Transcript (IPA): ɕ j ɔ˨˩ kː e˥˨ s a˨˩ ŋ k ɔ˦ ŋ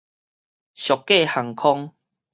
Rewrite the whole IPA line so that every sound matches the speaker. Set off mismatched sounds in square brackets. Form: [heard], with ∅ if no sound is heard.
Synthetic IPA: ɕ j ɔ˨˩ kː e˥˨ [h] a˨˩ ŋ [kʰ] ɔ˦ ŋ